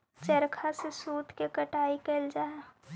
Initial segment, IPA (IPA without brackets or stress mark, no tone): t͡ʃ